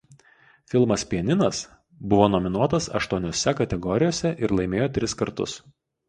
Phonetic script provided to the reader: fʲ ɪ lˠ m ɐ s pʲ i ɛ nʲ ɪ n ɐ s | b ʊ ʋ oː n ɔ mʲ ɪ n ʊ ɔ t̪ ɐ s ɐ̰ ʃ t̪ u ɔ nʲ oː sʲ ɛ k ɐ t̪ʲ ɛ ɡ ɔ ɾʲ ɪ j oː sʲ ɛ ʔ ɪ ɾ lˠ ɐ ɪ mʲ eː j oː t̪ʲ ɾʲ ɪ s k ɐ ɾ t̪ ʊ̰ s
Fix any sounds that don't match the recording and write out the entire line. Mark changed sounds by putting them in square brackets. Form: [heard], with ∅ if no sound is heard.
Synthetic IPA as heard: fʲ ɪ lˠ m ɐ s pʲ i ɛ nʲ ɪ n ɐ s | b ʊ ʋ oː n ɔ mʲ ɪ n [u] ɔ t̪ ɐ s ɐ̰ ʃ t̪ u ɔ nʲ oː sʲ ɛ k ɐ t̪ʲ ɛ ɡ ɔ ɾʲ ɪ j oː sʲ ɛ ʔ ɪ ɾ lˠ ɐ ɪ mʲ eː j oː t̪ʲ ɾʲ ɪ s k ɐ ɾ t̪ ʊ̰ s

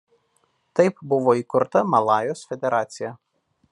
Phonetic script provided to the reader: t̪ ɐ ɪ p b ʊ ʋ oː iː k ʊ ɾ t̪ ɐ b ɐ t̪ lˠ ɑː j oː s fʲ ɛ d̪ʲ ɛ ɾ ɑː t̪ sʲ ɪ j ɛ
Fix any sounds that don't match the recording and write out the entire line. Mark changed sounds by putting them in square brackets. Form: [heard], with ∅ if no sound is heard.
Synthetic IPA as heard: t̪ ɐ ɪ p b ʊ ʋ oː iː k ʊ ɾ t̪ ɐ [m] ɐ [∅] lˠ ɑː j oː s fʲ ɛ d̪ʲ ɛ ɾ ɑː t̪ sʲ ɪ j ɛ

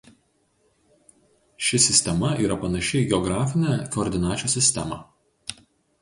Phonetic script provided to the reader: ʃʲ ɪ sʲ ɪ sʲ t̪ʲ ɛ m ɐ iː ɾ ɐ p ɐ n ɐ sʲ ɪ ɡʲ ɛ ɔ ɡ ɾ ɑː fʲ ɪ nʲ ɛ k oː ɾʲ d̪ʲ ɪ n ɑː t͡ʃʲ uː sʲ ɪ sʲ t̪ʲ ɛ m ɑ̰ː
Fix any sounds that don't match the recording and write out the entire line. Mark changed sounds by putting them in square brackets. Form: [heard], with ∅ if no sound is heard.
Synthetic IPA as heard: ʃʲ ɪ sʲ ɪ sʲ t̪ʲ ɛ m ɐ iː ɾ ɐ p ɐ n ɐ [ʃʲ] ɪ ɡʲ ɛ ɔ ɡ ɾ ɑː fʲ ɪ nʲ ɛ k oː ɾʲ d̪ʲ ɪ n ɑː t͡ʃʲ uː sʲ ɪ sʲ t̪ʲ ɛ m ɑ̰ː

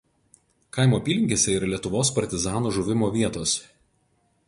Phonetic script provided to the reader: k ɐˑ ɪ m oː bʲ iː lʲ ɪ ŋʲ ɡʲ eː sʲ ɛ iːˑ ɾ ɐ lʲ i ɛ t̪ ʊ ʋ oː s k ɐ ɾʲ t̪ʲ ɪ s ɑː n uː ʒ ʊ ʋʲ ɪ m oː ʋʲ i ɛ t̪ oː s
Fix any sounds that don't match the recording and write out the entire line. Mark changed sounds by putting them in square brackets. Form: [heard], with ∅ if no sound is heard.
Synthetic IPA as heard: k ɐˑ ɪ m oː [pʲ] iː lʲ ɪ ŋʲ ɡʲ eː sʲ ɛ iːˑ ɾ ɐ lʲ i ɛ t̪ ʊ ʋ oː s [p] ɐ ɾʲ t̪ʲ ɪ [z] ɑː n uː ʒ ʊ ʋʲ ɪ m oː ʋʲ i ɛ t̪ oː s

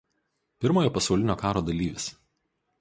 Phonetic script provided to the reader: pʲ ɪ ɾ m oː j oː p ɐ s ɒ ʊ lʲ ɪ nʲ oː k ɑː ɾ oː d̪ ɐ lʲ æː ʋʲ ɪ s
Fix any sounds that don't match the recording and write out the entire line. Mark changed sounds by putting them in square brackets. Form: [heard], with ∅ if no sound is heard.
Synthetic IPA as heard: pʲ ɪ ɾ m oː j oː p ɐ s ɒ ʊ lʲ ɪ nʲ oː k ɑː ɾ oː d̪ ɐ lʲ [iː] ʋʲ ɪ s

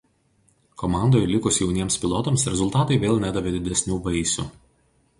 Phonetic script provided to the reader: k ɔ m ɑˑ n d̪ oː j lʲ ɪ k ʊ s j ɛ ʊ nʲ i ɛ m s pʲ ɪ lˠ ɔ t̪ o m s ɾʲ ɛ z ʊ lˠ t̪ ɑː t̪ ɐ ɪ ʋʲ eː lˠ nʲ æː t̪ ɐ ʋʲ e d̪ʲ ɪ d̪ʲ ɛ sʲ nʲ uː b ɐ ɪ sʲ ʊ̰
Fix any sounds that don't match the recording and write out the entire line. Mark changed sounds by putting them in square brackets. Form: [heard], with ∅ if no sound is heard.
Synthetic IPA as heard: k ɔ m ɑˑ n d̪ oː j lʲ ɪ k ʊ s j ɛ ʊ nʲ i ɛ m s pʲ ɪ lˠ ɔ t̪ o m s ɾʲ ɛ z ʊ lˠ t̪ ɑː t̪ ɐ ɪ ʋʲ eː lˠ nʲ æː [d̪] ɐ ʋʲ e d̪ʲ ɪ d̪ʲ ɛ sʲ nʲ uː b ɐ ɪ sʲ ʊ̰

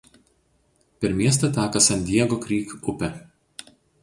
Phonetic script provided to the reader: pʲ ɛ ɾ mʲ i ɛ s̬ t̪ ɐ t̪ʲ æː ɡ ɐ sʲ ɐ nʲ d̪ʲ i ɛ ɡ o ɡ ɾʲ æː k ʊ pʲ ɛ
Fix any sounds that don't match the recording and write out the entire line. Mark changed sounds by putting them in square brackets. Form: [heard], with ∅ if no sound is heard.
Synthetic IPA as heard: pʲ ɛ ɾ mʲ i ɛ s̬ t̪ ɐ t̪ʲ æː [k] ɐ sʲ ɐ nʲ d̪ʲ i ɛ ɡ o [k] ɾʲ [iː] k ʊ pʲ ɛ

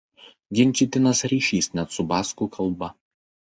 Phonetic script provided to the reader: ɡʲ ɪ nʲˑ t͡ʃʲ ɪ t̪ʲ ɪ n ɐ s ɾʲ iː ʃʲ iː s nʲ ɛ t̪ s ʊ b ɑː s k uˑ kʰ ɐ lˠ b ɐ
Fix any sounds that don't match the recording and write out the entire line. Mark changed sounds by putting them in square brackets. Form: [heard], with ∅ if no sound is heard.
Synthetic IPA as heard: ɡʲ ɪ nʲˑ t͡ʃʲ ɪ t̪ʲ ɪ n ɐ s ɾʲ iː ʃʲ iː s nʲ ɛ t̪ s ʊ b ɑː s k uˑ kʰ ɐ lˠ b ɐ

